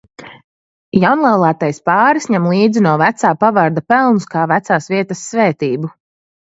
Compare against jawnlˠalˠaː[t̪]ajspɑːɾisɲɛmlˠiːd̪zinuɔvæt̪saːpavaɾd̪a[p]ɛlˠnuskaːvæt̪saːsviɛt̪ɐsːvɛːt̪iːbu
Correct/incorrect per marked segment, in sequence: correct, correct

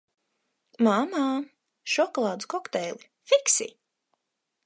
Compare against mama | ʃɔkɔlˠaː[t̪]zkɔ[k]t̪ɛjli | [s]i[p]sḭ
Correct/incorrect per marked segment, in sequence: incorrect: d̪, correct, incorrect: f, incorrect: k

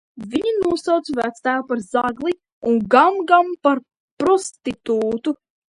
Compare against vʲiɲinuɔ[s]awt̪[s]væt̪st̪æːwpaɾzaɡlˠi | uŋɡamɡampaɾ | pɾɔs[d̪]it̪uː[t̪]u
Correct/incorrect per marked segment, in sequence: correct, correct, incorrect: t̪, correct

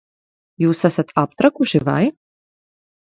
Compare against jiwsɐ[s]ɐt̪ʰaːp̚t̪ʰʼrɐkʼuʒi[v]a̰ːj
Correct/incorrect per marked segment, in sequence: correct, correct

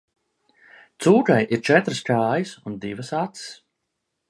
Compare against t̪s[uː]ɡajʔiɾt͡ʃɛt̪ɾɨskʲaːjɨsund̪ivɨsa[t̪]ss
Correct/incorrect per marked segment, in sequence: correct, correct

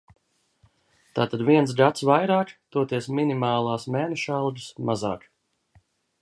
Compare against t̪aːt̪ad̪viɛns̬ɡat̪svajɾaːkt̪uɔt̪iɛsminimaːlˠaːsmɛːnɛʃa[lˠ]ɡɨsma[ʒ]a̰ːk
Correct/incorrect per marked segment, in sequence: correct, incorrect: z

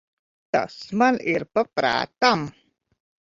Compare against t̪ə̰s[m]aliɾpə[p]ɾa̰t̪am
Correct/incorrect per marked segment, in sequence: correct, correct

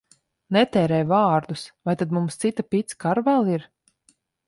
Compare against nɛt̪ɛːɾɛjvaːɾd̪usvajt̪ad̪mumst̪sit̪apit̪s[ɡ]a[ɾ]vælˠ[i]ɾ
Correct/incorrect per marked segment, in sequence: incorrect: k, correct, correct

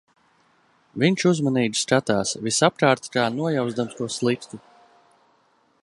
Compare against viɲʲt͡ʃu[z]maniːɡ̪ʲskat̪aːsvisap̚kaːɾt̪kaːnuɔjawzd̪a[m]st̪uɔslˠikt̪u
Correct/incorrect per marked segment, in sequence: correct, correct

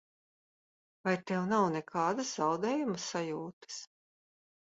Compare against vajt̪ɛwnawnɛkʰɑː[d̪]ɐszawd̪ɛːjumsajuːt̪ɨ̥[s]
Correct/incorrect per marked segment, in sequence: correct, correct

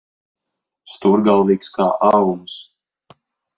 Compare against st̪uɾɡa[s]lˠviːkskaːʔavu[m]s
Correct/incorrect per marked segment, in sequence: incorrect: none, correct

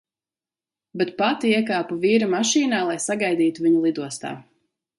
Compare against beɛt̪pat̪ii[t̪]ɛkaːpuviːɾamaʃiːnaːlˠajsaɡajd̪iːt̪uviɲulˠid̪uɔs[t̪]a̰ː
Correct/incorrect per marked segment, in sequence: incorrect: none, correct

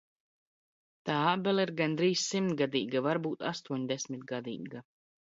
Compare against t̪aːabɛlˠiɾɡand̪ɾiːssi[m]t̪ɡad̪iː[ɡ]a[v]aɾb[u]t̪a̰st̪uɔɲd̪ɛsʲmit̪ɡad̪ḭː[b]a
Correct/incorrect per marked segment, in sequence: correct, correct, correct, incorrect: uː, incorrect: ɡ

